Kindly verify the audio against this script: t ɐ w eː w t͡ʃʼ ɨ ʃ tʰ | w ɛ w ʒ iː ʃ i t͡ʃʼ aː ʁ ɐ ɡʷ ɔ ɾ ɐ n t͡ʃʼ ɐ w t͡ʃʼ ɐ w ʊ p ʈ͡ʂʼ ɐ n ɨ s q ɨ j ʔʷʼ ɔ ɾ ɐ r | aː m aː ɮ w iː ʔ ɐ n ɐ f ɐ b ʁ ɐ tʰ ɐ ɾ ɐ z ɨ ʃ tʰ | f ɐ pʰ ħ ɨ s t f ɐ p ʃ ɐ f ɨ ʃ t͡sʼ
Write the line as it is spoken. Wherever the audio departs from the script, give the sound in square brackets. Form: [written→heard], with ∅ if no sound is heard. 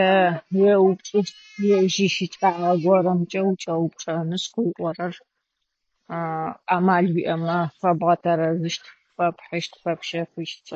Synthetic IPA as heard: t ɐ w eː w t͡ʃʼ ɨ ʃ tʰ | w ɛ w ʒ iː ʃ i t͡ʃʼ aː ʁ ɐ ɡʷ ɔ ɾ ɐ [n→m] t͡ʃʼ ɐ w t͡ʃʼ ɐ w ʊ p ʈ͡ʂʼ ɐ n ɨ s q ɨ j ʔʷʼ ɔ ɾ ɐ r | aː m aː ɮ w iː ʔ ɐ [n→m] ɐ f ɐ b ʁ ɐ tʰ ɐ ɾ ɐ z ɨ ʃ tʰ | f ɐ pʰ ħ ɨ [s→ʃ] t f ɐ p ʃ ɐ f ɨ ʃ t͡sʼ